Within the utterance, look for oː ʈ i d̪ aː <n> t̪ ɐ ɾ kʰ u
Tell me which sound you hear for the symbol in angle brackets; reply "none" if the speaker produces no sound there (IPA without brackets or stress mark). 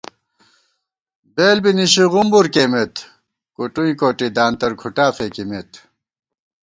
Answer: n